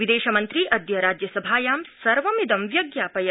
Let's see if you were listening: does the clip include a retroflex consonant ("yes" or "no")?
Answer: no